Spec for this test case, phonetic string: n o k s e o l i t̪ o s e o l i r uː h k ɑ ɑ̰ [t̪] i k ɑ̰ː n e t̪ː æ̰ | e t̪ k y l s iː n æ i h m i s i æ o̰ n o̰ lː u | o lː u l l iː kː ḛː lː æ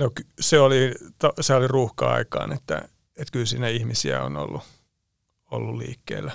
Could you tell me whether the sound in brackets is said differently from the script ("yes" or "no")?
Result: yes